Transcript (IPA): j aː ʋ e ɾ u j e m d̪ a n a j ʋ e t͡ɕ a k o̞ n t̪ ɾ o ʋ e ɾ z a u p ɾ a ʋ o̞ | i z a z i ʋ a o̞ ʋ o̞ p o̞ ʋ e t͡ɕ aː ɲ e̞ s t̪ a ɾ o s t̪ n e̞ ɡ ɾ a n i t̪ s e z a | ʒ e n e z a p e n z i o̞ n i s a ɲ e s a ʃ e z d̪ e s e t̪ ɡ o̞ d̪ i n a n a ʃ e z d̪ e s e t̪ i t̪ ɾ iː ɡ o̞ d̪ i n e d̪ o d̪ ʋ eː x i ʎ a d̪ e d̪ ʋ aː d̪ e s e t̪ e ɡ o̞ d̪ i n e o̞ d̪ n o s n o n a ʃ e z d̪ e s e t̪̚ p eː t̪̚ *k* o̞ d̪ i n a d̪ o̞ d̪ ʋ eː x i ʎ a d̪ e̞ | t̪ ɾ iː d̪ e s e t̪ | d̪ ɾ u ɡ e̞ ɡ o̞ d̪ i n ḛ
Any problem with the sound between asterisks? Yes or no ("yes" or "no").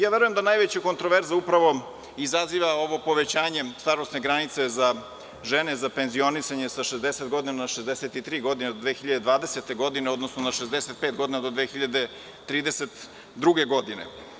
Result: yes